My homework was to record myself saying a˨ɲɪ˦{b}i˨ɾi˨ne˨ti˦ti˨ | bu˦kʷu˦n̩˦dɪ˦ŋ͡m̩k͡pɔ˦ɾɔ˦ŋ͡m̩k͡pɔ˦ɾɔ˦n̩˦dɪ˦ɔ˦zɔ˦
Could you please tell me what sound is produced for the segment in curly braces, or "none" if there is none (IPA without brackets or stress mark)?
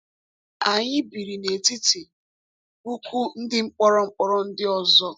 b